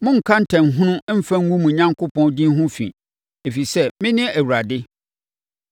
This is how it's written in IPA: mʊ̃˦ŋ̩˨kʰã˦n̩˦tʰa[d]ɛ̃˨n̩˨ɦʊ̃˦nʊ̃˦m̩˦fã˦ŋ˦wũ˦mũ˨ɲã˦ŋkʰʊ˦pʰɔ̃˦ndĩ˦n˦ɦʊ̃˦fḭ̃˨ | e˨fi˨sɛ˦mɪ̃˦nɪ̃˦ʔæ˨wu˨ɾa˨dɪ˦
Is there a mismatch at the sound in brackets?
yes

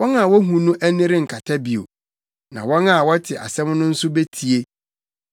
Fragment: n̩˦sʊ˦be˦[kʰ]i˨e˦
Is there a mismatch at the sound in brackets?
yes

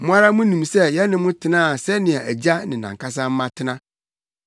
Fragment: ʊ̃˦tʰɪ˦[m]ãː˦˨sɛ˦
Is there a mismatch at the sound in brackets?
yes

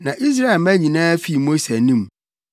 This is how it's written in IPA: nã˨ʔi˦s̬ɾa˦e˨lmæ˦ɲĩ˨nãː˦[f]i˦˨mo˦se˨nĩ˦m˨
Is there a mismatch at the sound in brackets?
no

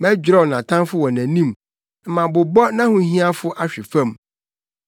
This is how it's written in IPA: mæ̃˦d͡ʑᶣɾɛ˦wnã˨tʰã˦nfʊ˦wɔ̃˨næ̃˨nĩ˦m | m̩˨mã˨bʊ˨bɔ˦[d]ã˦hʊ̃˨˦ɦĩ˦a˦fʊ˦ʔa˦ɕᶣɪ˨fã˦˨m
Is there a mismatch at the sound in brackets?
yes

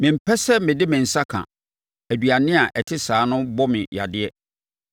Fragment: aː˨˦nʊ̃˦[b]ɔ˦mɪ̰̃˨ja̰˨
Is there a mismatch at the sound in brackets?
no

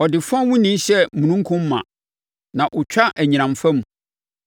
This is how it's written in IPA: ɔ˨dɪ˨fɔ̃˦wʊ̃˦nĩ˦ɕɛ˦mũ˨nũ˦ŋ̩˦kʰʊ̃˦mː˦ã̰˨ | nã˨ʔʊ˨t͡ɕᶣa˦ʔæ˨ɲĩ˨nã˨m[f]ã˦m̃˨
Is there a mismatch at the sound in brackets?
no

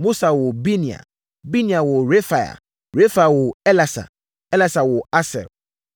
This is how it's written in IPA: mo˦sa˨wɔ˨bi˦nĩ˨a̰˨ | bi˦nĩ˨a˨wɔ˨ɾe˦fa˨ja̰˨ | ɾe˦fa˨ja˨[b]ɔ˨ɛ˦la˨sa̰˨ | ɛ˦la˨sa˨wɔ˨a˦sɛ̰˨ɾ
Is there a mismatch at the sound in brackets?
yes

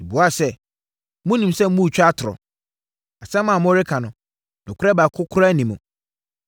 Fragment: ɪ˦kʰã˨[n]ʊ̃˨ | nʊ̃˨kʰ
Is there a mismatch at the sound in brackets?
no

